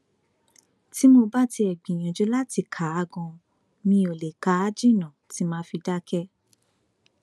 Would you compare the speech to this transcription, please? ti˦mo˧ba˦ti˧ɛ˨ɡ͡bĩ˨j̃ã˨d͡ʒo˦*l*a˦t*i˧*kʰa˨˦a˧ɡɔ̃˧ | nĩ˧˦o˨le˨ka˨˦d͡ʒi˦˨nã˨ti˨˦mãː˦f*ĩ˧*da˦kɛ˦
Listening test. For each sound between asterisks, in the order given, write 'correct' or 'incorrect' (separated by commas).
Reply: correct, correct, incorrect